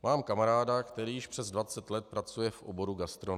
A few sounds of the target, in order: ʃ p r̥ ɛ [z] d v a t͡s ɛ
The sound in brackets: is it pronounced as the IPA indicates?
yes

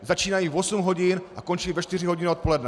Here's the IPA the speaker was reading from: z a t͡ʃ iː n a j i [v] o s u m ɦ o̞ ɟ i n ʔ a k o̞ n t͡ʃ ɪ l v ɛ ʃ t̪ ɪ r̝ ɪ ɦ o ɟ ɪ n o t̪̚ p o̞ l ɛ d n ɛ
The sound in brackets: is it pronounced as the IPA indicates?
yes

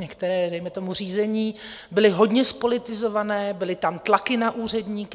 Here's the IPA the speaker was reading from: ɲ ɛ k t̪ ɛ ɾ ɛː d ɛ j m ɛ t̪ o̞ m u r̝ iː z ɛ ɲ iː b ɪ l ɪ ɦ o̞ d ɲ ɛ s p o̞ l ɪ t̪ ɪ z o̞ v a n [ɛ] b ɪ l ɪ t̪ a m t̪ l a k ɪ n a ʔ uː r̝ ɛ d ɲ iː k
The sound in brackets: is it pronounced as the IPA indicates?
no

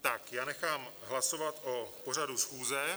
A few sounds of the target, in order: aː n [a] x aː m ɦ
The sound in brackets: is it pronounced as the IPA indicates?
no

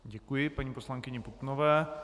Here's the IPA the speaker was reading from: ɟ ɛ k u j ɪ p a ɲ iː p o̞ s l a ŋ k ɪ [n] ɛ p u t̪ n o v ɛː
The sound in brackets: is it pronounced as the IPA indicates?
no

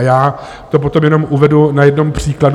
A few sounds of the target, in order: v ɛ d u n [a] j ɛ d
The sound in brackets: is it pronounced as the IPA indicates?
yes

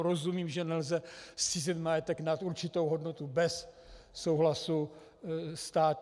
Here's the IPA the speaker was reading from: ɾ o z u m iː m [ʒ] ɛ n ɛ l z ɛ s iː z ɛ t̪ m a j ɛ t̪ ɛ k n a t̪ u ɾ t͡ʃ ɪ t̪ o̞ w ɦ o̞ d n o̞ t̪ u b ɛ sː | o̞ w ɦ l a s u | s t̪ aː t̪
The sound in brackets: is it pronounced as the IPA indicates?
yes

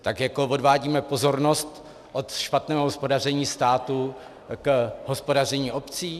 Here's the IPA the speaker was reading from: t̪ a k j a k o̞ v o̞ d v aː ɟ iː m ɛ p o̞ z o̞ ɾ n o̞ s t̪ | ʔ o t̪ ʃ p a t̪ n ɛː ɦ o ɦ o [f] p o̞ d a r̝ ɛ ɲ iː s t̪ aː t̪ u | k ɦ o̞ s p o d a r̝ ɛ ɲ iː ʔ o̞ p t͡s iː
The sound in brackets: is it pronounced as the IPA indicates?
no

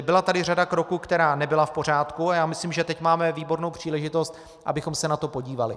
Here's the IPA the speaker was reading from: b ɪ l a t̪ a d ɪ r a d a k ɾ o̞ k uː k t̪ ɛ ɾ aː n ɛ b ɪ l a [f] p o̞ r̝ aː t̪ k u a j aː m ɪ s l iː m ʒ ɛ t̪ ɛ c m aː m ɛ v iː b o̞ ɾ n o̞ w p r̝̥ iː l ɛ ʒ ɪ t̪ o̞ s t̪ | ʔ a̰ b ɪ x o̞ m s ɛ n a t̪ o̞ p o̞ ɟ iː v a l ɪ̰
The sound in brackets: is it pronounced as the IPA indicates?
yes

